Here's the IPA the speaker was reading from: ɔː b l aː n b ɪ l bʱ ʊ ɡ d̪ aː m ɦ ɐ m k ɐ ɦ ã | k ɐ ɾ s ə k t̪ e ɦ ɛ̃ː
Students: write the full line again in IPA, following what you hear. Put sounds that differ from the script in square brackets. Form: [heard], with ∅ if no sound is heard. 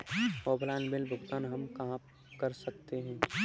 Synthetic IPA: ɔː b l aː n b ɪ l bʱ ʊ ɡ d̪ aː [n] ɦ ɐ m k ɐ ɦ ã | k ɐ ɾ s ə k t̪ e ɦ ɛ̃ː